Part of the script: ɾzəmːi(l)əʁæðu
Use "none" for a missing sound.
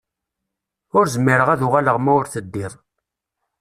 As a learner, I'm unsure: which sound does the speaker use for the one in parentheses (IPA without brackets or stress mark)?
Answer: ɾ